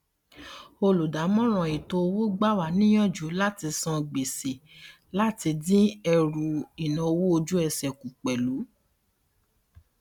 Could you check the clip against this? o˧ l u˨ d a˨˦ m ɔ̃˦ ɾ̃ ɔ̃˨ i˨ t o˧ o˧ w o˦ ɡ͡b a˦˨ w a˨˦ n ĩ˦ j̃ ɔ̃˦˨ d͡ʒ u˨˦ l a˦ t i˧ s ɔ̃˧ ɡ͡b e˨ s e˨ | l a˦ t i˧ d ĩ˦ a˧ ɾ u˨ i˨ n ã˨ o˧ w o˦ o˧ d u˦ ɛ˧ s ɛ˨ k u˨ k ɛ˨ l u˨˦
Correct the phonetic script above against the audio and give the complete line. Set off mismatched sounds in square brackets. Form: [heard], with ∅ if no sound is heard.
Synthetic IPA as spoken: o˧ l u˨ d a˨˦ m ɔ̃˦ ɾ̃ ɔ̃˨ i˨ t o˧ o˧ w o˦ ɡ͡b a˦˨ w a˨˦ n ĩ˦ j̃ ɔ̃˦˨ d͡ʒ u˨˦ l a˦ t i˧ s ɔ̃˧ ɡ͡b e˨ s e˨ | l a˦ t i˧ d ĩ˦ [ɛ˧] ɾ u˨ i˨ n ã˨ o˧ w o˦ o˧ [d͡ʒ] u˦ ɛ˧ s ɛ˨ k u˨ [k͡p] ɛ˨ l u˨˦